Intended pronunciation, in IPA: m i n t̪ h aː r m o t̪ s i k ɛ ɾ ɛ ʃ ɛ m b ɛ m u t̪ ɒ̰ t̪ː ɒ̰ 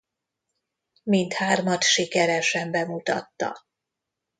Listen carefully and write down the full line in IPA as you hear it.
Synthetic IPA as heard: m i n t̪ h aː r m ɒ t̪ ʃ i k ɛ ɾ ɛ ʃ ɛ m b ɛ m u t̪ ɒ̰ t̪ː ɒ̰

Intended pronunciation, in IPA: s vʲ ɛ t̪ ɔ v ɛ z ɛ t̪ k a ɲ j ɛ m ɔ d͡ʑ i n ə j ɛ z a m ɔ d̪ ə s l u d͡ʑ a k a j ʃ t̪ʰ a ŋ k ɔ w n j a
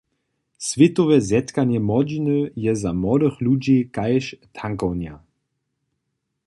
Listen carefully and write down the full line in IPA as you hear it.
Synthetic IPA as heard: s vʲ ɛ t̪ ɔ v ɛ z ɛ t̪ k a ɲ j ɛ m ɔ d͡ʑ i n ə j ɛ z a m ɔ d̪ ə x l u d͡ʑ i k a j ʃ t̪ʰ a ŋ k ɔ w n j a

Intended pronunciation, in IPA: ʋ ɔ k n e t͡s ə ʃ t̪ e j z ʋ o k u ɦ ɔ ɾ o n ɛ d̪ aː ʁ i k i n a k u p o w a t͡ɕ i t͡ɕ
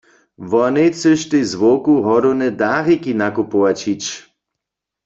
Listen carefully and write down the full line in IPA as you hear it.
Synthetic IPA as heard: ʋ ɔ n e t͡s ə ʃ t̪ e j z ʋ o k u ɦ ɔ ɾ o n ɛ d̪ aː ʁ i k i n a k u p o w a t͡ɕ i t͡ɕ

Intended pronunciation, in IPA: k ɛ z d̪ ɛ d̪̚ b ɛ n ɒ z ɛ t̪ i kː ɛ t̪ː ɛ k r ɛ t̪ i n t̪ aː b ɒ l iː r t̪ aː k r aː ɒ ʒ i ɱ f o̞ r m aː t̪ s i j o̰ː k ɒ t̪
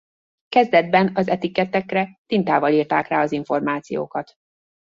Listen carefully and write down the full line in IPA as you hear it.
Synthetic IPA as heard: k ɛ z d̪ ɛ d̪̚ b ɛ n ɒ z ɛ t̪ i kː ɛ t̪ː ɛ k r ɛ t̪ i n t̪ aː v ɒ l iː r t̪ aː k r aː ɒ z i ɱ f o̞ r m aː t̪ s i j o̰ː k ɒ t̪

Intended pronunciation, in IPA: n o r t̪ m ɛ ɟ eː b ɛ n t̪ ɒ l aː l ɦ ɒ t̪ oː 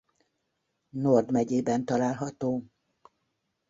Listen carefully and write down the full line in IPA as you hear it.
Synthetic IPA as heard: n o r d̪ m ɛ ɟ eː b ɛ n t̪ ɒ l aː l ɦ ɒ t̪ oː

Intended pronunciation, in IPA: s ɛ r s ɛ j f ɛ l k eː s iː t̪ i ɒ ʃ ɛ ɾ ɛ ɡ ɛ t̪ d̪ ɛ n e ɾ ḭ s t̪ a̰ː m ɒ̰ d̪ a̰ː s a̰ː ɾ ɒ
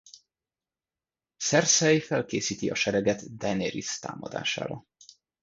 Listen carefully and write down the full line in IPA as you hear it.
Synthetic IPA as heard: s ɛ r s ɛ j f ɛ l k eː s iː t̪ i ɒ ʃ ɛ ɾ ɛ ɡ ɛ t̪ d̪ ɛ n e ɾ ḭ s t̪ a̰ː m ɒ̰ d̪ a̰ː ʃ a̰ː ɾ ɒ

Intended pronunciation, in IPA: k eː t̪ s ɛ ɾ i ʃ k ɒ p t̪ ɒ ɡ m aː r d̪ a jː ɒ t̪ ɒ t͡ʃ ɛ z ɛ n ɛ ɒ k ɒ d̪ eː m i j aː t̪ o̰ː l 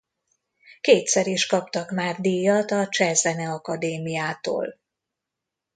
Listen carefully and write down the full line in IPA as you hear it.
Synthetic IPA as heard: k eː t̪ s ɛ ɾ i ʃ k ɒ p t̪ ɒ k m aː r d̪ i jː ɒ t̪ ɒ t͡ʃ ɛ z ɛ n ɛ ɒ k ɒ d̪ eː m i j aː t̪ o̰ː l

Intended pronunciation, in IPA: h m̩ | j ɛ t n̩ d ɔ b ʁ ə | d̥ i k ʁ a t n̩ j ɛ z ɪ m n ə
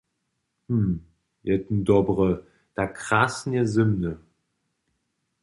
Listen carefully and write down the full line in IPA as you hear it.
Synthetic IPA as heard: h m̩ | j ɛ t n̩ d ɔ b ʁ ə | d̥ a k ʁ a s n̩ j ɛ z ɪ m n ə

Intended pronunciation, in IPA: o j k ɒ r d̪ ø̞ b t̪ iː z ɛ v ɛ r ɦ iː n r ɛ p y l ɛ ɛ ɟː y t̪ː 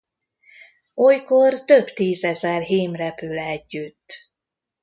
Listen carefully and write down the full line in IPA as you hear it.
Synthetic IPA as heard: o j k o r t̪ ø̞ b t̪ iː z ɛ z ɛ r ɦ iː m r ɛ p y l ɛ ɛ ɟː y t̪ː

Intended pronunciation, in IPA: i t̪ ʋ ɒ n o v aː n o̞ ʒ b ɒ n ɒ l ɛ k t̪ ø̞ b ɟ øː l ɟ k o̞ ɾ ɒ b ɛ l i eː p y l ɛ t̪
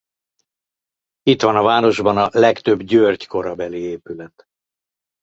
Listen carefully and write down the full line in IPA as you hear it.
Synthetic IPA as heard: i t̪ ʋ ɒ n ɒ v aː n o̞ ʒ b ɒ n ɒ l ɛ k t̪ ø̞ b ɟ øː r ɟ k o̞ ɾ ɒ b ɛ l i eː p y l ɛ t̪

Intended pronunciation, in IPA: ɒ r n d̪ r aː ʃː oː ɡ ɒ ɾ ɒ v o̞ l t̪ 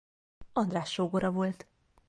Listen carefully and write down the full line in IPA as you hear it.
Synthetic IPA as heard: ɒ n d̪ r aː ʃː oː ɡ o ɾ ɒ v o̞ l t̪

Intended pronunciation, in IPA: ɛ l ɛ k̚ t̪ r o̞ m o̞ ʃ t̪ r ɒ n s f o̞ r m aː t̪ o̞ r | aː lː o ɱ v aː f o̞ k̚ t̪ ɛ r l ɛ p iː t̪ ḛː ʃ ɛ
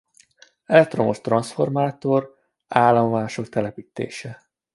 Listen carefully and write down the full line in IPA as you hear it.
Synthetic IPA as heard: ɛ l ɛ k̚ t̪ r o̞ m o̞ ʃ t̪ r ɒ n s f o̞ r m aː t̪ o̞ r | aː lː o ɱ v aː ʃ o̞ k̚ t̪ ɛ l ɛ p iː t̪ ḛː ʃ ɛ

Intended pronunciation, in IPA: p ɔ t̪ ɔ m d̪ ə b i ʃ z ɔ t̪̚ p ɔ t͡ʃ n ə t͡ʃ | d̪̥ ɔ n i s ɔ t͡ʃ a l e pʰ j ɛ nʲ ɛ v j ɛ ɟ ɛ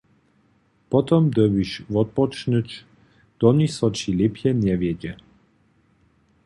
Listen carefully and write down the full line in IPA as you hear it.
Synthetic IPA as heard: p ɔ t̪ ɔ m d̪ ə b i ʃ v ɔ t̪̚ p ɔ t͡ʃ n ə t͡ʃ | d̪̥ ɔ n i s ɔ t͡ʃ i l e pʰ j ɛ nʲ ɛ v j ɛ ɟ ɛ

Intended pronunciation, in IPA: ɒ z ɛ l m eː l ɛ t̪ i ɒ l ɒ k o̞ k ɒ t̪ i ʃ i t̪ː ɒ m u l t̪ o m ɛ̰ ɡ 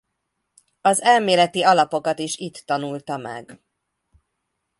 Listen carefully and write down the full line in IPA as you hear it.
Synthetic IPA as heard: ɒ z ɛ l m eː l ɛ t̪ i ɒ l ɒ p o̞ k ɒ t̪ i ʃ i t̪ː ɒ n u l t̪ ɒ m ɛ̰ ɡ

